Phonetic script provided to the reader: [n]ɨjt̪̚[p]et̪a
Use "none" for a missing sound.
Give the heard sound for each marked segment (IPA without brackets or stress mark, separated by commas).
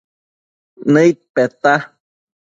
n, p